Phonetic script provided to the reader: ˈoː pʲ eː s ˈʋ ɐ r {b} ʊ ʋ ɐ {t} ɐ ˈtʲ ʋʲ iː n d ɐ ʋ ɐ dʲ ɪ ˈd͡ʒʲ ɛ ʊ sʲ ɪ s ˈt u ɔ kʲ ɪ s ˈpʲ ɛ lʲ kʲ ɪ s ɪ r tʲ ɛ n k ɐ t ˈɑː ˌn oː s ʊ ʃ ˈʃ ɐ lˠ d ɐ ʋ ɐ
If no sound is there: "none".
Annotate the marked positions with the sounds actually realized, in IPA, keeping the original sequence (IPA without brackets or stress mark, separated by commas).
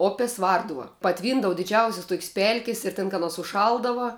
d, p